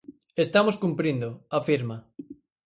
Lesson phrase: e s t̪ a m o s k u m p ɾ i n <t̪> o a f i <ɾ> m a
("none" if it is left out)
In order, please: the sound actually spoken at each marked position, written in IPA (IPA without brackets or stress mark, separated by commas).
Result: d̪, ɾ